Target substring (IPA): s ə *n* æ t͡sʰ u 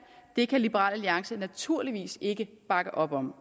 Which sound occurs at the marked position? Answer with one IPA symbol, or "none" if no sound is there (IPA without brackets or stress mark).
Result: n